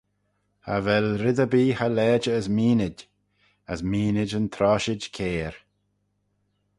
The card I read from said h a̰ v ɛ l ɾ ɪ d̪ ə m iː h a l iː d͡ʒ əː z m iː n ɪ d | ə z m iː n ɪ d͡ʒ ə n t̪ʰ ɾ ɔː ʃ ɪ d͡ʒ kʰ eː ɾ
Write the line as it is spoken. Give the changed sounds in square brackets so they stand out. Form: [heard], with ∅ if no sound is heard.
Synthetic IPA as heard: h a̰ v ɛ l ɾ ɪ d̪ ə [b] iː h a l [ɛː] d͡ʒ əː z m iː n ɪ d | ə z m iː n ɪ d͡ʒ ə n t̪ʰ ɾ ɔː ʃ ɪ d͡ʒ kʰ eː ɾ